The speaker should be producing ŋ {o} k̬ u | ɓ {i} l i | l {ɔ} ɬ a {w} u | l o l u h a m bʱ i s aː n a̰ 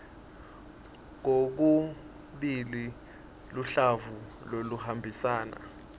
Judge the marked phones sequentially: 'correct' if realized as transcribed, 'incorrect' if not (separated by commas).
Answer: correct, correct, incorrect, incorrect